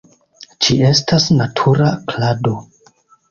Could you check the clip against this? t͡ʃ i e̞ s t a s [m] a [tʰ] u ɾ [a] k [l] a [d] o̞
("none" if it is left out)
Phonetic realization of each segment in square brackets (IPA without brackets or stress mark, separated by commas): n, tʰ, a, l, d